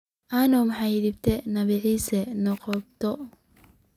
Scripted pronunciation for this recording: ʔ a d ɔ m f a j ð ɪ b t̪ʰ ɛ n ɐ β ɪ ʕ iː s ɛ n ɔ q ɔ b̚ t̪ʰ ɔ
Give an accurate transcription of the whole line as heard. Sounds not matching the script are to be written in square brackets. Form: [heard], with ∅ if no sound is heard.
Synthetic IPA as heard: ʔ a [n] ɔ m [ħ] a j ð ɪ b t̪ʰ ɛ n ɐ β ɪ ʕ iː s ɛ n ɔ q ɔ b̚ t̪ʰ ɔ